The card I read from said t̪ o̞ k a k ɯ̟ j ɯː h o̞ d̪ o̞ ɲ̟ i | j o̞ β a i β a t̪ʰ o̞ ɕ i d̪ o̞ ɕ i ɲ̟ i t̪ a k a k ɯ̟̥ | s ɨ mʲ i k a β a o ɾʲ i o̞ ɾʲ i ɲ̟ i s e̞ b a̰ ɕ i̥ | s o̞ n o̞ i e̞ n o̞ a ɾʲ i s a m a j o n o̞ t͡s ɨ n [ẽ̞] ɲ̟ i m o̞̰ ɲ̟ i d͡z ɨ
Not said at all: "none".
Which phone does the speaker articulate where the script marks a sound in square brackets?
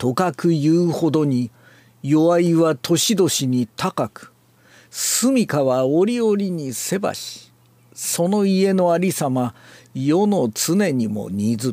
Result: e̞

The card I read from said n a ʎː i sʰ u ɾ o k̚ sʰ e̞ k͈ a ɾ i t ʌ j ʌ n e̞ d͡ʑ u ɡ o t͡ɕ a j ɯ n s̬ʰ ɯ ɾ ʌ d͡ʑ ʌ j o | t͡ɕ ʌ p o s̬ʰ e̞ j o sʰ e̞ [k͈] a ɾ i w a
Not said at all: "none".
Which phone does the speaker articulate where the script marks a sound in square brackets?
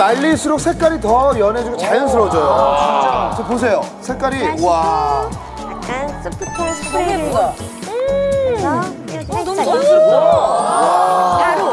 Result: k͈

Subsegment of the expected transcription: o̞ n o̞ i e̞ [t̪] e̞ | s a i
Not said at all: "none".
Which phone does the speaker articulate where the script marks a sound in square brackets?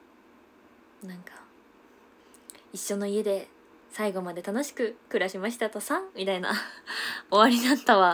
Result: d̪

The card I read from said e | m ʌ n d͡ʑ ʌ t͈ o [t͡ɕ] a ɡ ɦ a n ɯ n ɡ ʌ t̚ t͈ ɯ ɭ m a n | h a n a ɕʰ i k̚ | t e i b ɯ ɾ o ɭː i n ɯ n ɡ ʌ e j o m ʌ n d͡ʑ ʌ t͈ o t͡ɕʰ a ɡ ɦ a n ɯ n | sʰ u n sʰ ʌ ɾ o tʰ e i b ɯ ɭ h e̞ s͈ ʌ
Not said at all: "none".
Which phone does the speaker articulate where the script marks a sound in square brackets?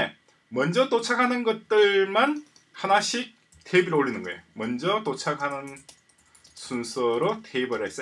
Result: t͡ɕʰ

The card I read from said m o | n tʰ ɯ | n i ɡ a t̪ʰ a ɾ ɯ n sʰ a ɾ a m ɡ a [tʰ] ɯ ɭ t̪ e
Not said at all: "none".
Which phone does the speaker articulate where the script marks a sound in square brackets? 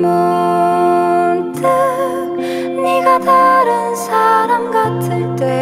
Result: tʰ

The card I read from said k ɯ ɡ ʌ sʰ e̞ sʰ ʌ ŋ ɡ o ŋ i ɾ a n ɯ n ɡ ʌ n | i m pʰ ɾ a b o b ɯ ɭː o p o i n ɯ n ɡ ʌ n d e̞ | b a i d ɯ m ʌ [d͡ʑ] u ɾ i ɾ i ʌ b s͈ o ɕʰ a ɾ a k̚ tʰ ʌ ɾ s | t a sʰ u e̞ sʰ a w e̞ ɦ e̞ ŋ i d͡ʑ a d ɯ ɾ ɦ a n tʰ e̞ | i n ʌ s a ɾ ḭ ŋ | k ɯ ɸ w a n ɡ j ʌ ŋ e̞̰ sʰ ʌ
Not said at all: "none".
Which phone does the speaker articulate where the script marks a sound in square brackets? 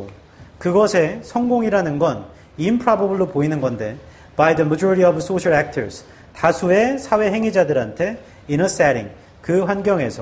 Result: d͡ʑ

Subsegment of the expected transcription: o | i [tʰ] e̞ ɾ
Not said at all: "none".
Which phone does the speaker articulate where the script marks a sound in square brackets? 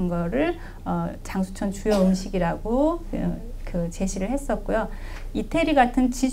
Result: tʰ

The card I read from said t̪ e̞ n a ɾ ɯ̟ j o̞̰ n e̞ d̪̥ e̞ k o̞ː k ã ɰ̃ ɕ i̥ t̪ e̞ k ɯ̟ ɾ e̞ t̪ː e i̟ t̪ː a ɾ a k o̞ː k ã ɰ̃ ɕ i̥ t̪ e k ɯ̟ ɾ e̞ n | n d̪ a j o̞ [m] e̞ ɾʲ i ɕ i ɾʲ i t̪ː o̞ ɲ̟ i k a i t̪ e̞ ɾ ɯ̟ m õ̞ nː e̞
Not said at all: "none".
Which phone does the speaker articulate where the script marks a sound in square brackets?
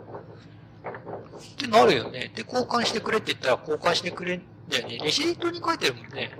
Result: n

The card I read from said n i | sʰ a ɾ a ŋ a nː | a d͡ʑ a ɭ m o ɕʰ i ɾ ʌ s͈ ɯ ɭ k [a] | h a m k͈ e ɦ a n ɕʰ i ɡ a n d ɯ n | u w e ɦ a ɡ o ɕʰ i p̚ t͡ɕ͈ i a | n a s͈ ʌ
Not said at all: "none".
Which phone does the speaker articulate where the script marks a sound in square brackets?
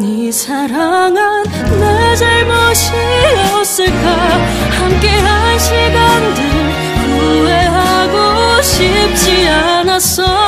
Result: a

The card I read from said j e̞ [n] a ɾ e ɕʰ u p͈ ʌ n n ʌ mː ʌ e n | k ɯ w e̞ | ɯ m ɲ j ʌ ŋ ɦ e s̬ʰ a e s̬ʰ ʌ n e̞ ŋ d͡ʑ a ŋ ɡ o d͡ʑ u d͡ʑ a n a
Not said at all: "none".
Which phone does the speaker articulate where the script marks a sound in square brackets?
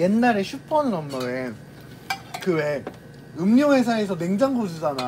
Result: nː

